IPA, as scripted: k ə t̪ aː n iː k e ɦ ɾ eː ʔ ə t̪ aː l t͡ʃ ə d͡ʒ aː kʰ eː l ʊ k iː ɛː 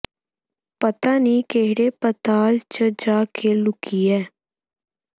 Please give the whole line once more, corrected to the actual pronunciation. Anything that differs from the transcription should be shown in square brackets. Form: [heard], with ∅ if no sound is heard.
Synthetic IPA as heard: [p] ə t̪ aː n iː k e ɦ [ɽ] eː [p] ə t̪ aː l t͡ʃ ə d͡ʒ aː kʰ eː l ʊ k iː ɛː